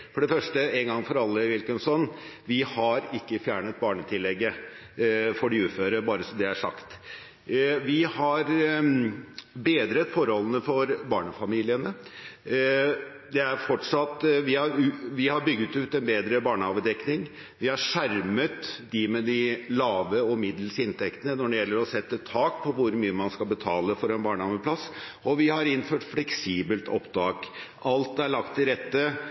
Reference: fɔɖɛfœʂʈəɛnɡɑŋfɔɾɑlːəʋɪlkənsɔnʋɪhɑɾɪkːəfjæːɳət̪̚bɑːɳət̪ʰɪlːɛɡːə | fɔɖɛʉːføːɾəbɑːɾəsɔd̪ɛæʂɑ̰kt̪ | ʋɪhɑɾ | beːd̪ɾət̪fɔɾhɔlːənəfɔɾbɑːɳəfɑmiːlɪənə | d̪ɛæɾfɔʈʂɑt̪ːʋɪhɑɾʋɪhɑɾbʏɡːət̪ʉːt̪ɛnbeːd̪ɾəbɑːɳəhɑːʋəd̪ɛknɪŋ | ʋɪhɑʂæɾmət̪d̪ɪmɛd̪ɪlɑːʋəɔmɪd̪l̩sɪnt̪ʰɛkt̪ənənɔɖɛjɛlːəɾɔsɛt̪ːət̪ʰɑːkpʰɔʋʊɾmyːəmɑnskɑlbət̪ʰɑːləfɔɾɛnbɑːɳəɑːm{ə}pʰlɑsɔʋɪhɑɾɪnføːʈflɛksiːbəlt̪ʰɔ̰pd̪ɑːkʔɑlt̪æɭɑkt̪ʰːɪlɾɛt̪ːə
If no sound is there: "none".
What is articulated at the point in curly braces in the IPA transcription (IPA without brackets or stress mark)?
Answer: ə